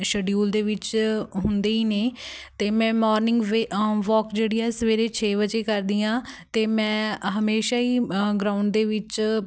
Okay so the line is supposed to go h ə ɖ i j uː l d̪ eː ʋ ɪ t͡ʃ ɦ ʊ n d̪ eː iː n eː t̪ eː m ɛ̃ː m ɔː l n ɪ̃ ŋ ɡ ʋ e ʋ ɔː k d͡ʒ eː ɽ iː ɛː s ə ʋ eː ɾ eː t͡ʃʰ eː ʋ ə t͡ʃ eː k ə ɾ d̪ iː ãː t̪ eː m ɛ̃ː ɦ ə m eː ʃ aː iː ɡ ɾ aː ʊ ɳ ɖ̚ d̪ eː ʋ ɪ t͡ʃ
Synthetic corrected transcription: ʃ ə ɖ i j uː l d̪ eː ʋ ɪ t͡ʃ ɦ ʊ n d̪ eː iː n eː t̪ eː m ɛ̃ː m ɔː ɾ n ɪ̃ ŋ ɡ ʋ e ʋ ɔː k d͡ʒ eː ɽ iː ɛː s ə ʋ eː ɾ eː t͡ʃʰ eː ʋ ə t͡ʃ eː k ə ɾ d̪ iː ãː t̪ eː m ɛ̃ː ɦ ə m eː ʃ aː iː ɡ ɾ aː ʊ ɳ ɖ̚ d̪ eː ʋ ɪ t͡ʃ